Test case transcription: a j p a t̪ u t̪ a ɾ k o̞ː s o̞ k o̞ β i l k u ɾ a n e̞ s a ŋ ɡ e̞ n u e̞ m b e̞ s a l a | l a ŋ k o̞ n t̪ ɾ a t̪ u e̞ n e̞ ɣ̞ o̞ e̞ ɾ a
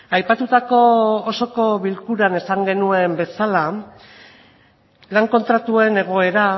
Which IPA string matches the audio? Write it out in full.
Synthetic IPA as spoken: a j p a t̪ u t̪ a k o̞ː s o̞ k o̞ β i l k u ɾ a n e̞ s a ŋ ɡ e̞ n u e̞ m b e̞ s a l a | l a ŋ k o̞ n t̪ ɾ a t̪ u e̞ n e̞ ɣ̞ o̞ e̞ ɾ a